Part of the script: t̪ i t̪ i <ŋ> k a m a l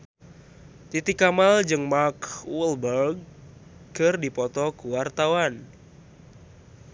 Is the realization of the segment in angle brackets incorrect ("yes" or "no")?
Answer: yes